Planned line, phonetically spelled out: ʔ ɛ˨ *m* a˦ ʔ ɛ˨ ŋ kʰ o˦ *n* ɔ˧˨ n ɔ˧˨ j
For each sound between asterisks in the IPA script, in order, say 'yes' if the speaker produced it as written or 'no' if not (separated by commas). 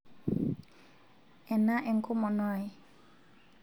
no, no